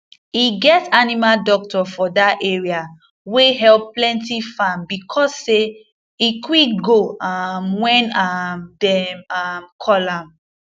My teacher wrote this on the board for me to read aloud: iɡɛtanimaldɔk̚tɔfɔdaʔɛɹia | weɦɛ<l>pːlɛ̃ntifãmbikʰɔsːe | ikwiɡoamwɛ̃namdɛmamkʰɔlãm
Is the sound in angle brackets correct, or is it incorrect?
correct